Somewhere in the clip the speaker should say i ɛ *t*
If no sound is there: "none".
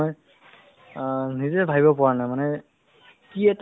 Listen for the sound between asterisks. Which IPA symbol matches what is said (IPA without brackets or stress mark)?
t